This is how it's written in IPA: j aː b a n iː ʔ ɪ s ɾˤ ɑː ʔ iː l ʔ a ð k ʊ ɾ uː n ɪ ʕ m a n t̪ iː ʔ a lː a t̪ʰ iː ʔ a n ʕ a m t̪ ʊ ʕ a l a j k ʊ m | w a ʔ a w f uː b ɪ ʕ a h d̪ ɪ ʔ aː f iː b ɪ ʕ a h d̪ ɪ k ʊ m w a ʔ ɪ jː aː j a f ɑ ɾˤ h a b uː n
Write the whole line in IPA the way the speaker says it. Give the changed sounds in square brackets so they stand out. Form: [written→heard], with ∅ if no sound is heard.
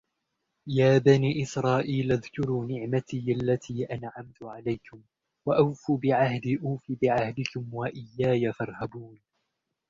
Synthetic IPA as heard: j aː b a n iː ʔ ɪ s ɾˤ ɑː ʔ iː l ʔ a ð k ʊ ɾ uː n ɪ ʕ m a [n→∅] t̪ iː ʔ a lː a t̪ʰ iː ʔ a n ʕ a m t̪ ʊ ʕ a l a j k ʊ m | w a ʔ a w f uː b ɪ ʕ a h d̪ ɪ ʔ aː f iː b ɪ ʕ a h d̪ ɪ k ʊ m w a ʔ ɪ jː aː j a f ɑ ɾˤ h a b uː n